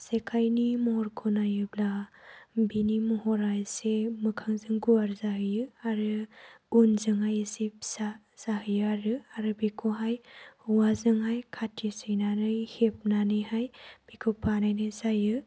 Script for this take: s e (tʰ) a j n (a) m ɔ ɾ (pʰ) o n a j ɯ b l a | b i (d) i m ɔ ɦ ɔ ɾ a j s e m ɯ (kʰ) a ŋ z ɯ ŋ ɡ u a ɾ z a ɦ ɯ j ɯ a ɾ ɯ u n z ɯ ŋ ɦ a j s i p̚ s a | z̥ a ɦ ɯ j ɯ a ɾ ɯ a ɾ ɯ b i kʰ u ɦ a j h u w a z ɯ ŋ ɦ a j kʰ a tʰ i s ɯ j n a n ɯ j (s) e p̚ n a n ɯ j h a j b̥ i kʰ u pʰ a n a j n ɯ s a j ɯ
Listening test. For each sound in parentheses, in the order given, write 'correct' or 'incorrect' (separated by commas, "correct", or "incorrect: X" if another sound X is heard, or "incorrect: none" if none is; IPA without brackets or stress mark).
incorrect: kʰ, incorrect: i, incorrect: kʰ, incorrect: n, correct, incorrect: h